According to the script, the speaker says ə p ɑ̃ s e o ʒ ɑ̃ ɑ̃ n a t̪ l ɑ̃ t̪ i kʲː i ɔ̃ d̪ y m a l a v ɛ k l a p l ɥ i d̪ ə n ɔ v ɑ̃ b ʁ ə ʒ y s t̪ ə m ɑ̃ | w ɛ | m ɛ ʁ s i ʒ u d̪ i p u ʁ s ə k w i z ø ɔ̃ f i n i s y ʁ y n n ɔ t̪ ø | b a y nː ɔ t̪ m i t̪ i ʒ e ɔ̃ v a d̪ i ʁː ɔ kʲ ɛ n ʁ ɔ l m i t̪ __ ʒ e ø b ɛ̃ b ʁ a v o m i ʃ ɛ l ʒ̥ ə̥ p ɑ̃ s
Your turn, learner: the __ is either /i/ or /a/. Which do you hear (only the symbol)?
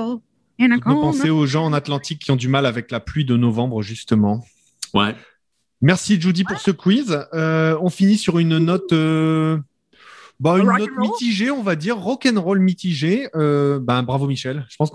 i